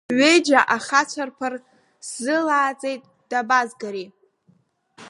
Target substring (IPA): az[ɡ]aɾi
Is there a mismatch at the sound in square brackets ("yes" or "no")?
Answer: no